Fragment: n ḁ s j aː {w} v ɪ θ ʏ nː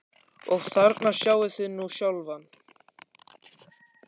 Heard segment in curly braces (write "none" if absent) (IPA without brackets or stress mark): w